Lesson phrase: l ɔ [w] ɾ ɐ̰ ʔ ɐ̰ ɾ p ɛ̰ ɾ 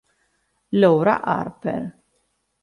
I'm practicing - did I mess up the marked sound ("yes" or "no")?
no